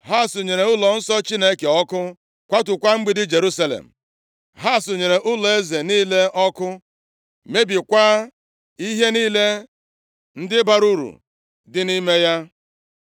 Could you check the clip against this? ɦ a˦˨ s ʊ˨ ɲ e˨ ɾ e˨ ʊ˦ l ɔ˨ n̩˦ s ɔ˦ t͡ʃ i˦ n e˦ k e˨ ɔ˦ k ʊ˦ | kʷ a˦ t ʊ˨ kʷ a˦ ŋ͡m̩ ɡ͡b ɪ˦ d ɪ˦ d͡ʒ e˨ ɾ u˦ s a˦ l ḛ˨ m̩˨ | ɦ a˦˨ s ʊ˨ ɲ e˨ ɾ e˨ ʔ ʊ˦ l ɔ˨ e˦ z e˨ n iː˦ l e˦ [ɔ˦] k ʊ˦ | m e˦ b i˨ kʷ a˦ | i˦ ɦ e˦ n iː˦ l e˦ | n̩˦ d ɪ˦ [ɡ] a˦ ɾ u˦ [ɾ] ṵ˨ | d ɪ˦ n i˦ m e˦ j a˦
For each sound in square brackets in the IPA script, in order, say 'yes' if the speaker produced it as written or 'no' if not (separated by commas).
yes, no, yes